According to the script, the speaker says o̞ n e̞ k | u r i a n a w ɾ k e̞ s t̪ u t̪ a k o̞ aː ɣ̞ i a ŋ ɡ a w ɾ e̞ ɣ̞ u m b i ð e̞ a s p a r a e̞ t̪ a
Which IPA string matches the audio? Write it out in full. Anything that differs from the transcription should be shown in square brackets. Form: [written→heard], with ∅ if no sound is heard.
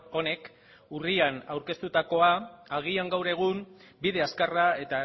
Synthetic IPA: o̞ n e̞ k | u r i a n a w ɾ k e̞ s t̪ u t̪ a k o̞ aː ɣ̞ i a ŋ ɡ a w ɾ e̞ ɣ̞ u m b i ð e̞ a s [p→k] a r a e̞ t̪ a

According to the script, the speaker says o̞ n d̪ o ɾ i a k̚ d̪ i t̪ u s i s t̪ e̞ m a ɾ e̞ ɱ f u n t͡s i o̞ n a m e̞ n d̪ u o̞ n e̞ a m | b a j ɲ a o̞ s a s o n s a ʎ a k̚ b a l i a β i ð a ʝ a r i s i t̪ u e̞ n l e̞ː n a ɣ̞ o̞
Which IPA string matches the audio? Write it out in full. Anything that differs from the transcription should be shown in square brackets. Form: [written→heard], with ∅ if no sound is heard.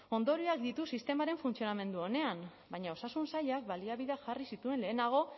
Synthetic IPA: o̞ n d̪ o ɾ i a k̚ d̪ i t̪ u s i s t̪ e̞ m a ɾ e̞ ɱ f u n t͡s i o̞ n a m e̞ n d̪ u o̞ n e̞ a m | b a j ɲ a o̞ s a s [o→u] n s a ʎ a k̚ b a l i a β i ð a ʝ a r i s i t̪ u e̞ n l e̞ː n a ɣ̞ o̞

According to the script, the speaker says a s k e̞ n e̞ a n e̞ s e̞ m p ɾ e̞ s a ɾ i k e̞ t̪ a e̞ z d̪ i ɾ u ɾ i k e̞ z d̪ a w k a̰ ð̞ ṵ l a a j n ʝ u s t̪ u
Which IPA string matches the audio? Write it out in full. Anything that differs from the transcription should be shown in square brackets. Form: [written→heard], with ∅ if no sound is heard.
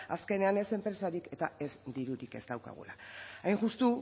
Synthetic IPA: a s k e̞ n e̞ a n e̞ s e̞ m p ɾ e̞ s a ɾ i k e̞ t̪ a e̞ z d̪ i ɾ u ɾ i k e̞ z d̪ a w k a̰ [ð̞→ɣ̞] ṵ l a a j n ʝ u s t̪ u

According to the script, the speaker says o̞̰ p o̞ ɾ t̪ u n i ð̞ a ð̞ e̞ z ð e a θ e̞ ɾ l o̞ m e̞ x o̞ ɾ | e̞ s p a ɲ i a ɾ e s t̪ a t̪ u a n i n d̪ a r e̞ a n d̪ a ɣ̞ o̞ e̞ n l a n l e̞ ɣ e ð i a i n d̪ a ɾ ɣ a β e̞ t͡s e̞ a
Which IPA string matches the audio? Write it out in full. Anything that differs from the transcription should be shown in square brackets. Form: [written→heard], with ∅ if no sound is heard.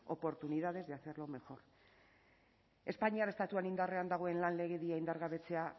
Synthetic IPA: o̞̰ p o̞ ɾ t̪ u n i ð̞ a ð̞ e̞ z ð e a θ e̞ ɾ l o̞ m e̞ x o̞ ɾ | e̞ s p a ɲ i a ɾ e s t̪ a t̪ u a n i n d̪ a r e̞ a n d̪ a ɣ̞ o̞ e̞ n l a n l e̞ ɣ e ð i a i n d̪ a ɾ ɣ a β e̞ t͡s e̞ a

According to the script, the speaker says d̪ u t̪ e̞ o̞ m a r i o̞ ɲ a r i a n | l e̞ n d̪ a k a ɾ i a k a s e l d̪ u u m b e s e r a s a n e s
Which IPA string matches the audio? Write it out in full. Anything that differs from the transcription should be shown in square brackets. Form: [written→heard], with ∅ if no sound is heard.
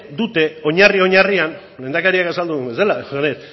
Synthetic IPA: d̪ u t̪ e̞ o̞ [m→ɲ] a r i o̞ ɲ a r i a n | l e̞ n d̪ a k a ɾ i a k a s [e→a] l d̪ u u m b e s e [r→l] a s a n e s

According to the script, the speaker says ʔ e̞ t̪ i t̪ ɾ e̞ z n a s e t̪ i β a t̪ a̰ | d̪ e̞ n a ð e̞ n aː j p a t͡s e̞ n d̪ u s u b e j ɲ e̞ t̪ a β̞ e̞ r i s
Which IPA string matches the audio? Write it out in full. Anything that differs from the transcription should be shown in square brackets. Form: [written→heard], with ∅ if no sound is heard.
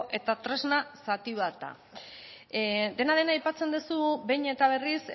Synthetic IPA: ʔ e̞ t̪ [i→a] t̪ ɾ e̞ z n a s [e→a] t̪ i β a t̪ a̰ | d̪ e̞ n a ð e̞ n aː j p a t͡s e̞ n d̪ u s u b e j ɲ e̞ t̪ a β̞ e̞ r i s

